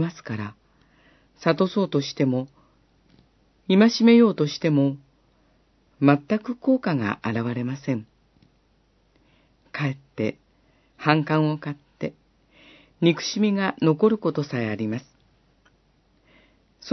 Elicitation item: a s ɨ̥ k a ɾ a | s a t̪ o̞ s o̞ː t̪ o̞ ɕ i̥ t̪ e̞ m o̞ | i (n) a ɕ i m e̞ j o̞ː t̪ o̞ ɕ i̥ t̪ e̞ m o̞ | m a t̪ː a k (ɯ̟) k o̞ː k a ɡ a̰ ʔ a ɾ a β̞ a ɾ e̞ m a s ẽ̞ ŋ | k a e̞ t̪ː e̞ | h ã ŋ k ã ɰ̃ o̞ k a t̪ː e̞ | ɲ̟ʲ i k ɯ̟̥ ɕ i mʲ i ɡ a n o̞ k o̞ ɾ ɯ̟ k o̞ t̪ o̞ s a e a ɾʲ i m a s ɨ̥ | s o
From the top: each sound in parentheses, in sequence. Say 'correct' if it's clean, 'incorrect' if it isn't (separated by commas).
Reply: incorrect, correct